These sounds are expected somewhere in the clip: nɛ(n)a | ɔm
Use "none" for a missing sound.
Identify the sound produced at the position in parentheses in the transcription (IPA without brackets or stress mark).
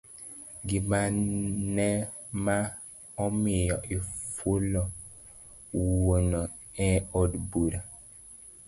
m